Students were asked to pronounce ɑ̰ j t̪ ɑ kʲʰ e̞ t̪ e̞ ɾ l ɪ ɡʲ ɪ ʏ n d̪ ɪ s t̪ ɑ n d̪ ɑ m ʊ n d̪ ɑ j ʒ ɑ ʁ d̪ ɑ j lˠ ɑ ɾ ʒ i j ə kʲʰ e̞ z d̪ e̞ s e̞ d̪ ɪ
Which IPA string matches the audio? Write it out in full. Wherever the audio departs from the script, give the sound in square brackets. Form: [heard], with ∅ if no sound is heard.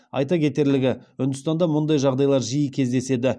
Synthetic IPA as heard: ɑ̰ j t̪ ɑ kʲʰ e̞ t̪ e̞ ɾ l ɪ ɡʲ ɪ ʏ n d̪ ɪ s t̪ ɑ n d̪ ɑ m ʊ n d̪ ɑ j ʒ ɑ ʁ d̪ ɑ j lˠ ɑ ɾ ʒ i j ə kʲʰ e̞ z d̪ e̞ s e̞ d̪ ɪ